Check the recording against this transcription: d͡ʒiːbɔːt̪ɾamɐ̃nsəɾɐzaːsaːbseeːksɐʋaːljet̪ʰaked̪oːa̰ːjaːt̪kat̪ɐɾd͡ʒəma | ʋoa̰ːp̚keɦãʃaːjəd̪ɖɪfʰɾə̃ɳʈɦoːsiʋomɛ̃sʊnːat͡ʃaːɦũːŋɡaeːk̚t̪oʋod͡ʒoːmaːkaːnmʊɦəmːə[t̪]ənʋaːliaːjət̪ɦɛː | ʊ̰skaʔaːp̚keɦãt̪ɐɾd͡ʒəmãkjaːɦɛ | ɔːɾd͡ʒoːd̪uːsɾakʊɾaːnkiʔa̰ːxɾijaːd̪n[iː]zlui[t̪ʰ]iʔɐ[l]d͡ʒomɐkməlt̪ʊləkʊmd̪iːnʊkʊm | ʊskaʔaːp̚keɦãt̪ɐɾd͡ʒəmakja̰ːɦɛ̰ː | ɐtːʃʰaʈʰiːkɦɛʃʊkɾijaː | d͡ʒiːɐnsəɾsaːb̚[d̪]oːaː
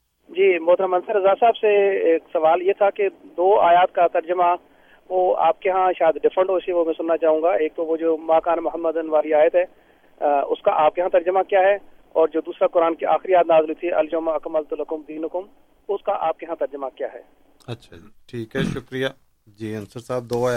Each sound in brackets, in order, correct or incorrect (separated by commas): incorrect, incorrect, correct, correct, correct